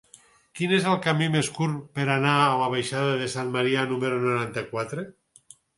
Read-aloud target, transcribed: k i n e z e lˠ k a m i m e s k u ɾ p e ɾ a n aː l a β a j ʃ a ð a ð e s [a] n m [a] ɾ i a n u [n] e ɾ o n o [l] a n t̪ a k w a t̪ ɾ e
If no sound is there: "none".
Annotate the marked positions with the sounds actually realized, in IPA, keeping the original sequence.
a, a, m, ɾ

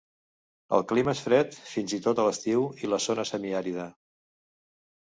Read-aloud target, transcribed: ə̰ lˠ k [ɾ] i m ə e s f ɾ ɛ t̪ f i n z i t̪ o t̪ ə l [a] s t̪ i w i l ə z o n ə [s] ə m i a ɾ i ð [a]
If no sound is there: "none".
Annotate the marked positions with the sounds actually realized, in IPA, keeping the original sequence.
l, ə, s, ə

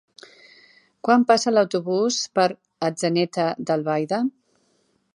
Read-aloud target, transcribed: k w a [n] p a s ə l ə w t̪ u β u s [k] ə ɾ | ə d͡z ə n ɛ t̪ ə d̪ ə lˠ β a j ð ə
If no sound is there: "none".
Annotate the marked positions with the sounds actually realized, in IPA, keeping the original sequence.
m, p

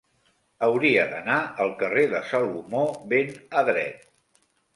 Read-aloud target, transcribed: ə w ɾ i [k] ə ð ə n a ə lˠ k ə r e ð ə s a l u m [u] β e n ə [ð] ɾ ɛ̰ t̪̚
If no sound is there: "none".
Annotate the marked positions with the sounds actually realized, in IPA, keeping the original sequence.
none, o, ð

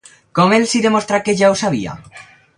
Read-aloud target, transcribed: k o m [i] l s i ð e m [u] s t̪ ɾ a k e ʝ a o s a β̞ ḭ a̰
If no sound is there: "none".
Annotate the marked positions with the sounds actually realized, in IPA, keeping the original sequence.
e, o

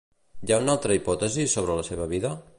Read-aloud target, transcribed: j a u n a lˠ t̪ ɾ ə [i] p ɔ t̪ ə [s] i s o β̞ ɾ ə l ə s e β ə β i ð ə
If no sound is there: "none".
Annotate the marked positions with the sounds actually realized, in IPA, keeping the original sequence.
i, z

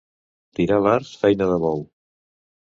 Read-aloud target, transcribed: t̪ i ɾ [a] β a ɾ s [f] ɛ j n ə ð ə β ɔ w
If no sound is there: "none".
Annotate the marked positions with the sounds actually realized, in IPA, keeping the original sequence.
a, f

